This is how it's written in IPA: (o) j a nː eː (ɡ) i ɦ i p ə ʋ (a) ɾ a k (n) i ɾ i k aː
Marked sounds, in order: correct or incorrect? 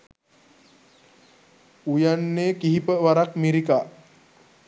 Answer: incorrect: u, incorrect: k, correct, incorrect: m

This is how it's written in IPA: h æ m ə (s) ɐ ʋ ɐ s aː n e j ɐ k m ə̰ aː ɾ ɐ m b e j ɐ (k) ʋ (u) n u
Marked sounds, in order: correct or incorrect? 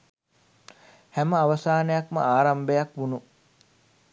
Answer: incorrect: none, correct, correct

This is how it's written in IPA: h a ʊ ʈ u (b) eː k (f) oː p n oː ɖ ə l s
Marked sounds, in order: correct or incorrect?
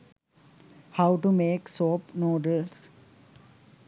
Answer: incorrect: m, incorrect: s

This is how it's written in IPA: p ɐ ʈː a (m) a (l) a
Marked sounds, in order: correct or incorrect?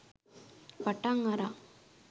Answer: incorrect: ŋ, incorrect: ɾ

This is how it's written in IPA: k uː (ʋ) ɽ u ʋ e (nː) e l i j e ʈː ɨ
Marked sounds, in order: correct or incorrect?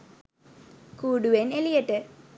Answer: incorrect: none, incorrect: n

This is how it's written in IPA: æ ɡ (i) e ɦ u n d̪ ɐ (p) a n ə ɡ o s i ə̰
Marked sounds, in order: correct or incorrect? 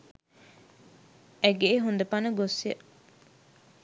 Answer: incorrect: e, correct

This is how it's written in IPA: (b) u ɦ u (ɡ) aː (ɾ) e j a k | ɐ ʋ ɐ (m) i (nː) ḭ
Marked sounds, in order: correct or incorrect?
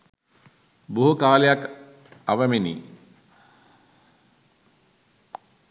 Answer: correct, incorrect: k, incorrect: l, correct, incorrect: n

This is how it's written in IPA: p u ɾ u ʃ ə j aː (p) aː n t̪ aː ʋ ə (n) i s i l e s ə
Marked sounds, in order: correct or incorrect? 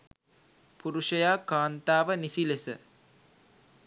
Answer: incorrect: k, correct

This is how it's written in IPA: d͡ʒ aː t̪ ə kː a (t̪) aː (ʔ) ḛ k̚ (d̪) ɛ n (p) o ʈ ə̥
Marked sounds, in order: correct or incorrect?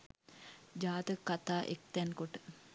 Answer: correct, correct, incorrect: t̪, incorrect: k

